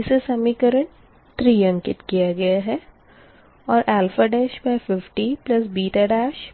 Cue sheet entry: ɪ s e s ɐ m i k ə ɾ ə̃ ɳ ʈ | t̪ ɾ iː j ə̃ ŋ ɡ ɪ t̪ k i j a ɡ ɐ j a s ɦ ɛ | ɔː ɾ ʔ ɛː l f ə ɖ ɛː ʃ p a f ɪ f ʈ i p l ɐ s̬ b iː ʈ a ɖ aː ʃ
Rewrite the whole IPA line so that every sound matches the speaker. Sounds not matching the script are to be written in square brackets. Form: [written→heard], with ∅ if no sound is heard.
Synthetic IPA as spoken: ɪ s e s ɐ m i k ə ɾ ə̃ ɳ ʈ | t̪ ɾ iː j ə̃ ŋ [ɡ→k] ɪ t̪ k i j a ɡ ɐ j a [s→∅] ɦ ɛ | ɔː ɾ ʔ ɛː l f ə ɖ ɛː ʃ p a f ɪ f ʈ i p l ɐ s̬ b iː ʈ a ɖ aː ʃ